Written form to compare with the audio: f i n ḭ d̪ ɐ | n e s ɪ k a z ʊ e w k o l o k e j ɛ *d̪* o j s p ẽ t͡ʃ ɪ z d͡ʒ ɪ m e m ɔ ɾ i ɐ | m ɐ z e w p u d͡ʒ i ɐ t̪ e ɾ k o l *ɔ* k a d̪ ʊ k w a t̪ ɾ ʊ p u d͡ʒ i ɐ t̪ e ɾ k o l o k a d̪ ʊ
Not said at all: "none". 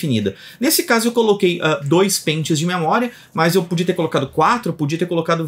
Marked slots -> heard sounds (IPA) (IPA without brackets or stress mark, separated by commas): d̪, o